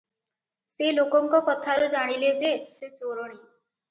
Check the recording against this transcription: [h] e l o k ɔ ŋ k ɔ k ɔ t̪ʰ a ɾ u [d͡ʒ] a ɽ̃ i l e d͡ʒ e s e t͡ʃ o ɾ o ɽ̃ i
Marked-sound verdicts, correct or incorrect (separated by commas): incorrect, correct